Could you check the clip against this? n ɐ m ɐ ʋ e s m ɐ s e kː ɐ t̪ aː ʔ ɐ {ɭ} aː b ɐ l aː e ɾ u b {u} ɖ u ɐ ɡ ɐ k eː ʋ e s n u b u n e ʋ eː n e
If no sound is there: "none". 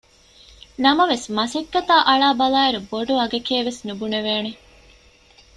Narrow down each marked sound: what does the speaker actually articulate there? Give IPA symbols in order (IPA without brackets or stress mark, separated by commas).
ɭ, o